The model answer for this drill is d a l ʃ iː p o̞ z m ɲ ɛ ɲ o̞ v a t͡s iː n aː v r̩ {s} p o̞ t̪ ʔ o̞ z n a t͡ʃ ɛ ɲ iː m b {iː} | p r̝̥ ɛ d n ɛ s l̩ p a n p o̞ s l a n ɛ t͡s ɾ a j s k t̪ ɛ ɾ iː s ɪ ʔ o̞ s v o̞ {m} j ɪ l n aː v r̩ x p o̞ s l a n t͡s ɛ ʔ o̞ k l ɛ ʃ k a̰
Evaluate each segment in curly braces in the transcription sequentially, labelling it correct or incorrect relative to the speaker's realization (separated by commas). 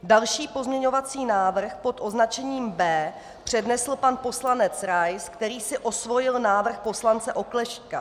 incorrect, incorrect, incorrect